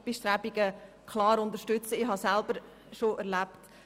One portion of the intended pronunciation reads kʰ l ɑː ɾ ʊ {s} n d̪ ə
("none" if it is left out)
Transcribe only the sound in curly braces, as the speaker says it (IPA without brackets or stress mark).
none